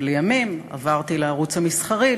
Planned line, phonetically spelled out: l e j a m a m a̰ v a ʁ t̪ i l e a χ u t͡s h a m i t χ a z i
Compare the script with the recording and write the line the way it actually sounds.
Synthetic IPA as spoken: l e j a m i m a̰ v a ʁ t̪ i l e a ʁ u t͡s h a m i s χ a ʁ i